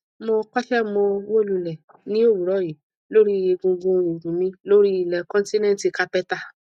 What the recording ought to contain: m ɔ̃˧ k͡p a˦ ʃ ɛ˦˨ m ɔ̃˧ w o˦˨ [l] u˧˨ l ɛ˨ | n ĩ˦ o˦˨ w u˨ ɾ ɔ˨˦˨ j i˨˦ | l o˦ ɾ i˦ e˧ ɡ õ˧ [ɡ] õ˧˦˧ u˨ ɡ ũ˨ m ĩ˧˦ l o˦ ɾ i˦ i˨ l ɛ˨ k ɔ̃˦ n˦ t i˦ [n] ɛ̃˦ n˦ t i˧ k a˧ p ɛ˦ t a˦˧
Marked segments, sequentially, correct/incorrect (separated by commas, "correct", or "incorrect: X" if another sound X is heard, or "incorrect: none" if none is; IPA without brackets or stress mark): correct, correct, correct